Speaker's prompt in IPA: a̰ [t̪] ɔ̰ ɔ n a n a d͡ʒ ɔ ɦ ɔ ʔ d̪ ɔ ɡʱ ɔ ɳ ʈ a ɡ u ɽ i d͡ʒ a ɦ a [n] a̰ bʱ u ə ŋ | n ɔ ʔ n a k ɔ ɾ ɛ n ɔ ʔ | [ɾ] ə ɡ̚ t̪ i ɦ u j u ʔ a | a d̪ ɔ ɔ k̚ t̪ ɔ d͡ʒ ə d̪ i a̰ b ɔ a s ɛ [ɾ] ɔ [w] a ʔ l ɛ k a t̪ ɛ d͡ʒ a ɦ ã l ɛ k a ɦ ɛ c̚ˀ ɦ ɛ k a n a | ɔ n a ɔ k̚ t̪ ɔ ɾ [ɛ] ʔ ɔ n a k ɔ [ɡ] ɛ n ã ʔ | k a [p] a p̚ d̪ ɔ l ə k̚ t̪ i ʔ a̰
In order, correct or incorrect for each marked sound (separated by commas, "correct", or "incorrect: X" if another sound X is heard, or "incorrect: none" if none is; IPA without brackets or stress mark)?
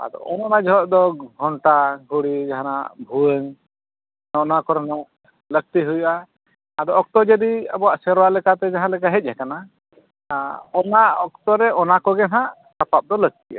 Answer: incorrect: d̪, correct, incorrect: l, correct, correct, correct, correct, correct